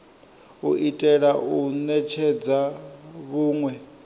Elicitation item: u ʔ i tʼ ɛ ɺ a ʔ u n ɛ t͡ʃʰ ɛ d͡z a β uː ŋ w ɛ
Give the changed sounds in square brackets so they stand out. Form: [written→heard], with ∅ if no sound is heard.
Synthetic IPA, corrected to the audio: u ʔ i tʼ ɛ ɺ a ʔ u n ɛ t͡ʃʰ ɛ d͡z a β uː ŋ w ɛ